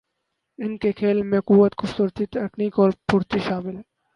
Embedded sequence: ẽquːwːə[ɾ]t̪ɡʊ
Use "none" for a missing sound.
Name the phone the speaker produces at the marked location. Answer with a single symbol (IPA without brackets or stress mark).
none